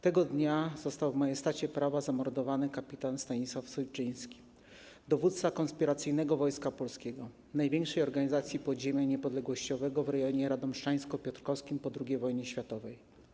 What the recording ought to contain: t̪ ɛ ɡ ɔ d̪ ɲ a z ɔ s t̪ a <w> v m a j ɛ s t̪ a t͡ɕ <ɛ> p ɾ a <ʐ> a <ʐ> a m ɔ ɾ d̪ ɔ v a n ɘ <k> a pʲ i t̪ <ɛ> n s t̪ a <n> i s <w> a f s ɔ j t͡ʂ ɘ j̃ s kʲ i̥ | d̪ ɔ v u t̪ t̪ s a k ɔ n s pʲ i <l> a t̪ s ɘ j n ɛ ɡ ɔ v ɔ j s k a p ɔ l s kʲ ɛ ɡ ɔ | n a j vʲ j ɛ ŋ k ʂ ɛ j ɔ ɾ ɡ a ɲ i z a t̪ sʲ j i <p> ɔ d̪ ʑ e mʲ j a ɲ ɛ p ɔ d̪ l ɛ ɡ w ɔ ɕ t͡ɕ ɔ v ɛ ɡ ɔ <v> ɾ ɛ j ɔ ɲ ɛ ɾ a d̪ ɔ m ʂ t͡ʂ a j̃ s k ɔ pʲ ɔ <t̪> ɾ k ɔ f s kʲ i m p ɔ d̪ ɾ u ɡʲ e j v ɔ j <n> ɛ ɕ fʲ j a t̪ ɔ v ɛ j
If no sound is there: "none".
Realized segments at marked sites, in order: w, ɛ, v, z, k, a, ɲ, w, ɾ, p, v, t̪, ɲ

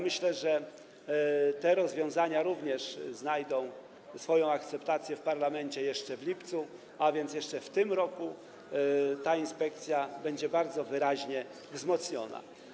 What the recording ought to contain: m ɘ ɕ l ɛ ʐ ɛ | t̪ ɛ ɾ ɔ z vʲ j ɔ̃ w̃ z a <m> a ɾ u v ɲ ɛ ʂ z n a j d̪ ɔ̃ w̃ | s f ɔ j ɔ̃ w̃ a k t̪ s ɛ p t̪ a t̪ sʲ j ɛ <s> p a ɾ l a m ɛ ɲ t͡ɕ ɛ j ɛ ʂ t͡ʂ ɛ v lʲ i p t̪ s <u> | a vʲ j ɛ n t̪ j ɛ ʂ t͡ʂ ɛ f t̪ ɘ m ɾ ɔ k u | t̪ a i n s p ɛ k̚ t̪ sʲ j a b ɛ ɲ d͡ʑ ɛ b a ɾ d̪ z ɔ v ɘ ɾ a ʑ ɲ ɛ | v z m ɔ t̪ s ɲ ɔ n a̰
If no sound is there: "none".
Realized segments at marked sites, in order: ɲ, f, u

